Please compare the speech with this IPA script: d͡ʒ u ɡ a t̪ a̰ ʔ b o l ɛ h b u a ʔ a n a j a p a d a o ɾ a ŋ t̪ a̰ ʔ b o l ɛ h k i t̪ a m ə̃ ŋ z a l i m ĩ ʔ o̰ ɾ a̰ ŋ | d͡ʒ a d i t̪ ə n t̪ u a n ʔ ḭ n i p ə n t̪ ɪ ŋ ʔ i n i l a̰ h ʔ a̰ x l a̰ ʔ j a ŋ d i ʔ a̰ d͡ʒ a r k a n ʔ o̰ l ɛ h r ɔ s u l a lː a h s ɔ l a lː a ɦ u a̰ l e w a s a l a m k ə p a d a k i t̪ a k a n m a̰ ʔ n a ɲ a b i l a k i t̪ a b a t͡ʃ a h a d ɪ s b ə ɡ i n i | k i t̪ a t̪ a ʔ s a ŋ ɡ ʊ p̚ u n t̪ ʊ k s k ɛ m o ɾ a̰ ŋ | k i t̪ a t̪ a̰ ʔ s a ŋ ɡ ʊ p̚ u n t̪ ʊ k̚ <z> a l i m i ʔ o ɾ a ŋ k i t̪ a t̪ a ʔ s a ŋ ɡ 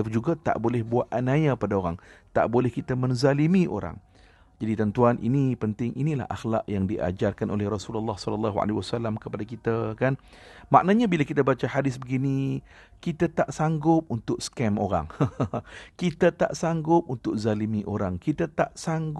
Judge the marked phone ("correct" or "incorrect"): correct